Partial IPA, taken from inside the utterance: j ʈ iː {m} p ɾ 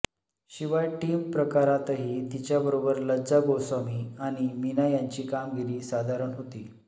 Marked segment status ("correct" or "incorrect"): correct